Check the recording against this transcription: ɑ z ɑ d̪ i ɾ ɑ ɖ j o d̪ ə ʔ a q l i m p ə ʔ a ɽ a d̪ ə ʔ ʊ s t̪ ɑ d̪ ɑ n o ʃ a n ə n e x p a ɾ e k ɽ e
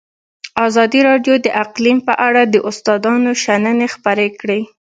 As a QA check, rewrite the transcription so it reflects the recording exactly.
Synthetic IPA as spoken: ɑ z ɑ d̪ i ɾ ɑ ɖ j o d̪ ə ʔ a q l i m p ə ʔ a ɽ a d̪ ə ʔ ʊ s t̪ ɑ d̪ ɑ n o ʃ a n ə n e x p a ɾ e k ɽ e